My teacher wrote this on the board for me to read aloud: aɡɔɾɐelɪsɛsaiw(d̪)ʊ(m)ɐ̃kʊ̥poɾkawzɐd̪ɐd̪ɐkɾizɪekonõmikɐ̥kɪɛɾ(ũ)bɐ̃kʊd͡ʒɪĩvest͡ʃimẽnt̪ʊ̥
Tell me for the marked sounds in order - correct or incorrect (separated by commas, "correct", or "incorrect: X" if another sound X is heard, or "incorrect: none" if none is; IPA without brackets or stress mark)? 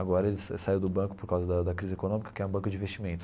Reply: correct, incorrect: b, correct